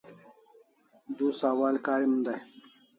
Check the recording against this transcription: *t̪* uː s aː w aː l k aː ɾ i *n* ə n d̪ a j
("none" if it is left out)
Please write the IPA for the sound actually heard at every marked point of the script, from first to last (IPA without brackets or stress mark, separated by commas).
d̪, m